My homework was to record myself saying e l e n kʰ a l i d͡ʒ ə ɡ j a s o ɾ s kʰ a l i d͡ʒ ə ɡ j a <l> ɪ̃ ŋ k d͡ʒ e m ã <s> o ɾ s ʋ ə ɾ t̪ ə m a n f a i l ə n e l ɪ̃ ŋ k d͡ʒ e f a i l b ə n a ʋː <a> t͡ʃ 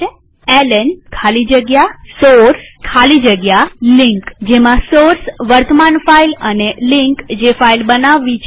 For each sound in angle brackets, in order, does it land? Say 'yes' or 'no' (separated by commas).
yes, yes, no